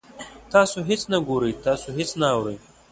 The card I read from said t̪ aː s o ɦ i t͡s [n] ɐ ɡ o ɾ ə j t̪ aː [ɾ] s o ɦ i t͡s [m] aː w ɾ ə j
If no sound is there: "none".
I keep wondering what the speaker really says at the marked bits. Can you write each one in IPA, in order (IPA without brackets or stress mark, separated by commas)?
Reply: n, none, n